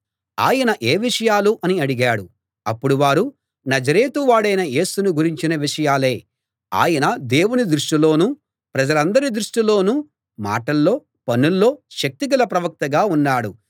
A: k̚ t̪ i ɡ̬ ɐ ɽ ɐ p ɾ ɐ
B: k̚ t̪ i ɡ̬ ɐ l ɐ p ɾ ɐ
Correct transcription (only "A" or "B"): B